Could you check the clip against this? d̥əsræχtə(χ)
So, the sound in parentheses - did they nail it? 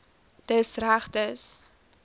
no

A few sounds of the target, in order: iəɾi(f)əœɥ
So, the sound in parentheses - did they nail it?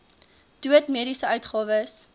no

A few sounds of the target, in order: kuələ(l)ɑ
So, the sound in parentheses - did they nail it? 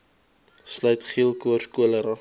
no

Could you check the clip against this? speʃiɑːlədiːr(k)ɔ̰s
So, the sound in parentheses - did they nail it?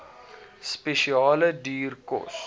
yes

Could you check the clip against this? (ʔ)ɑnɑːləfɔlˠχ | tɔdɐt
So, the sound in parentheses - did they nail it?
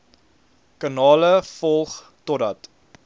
no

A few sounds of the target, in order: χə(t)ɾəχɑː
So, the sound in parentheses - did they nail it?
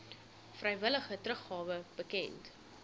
yes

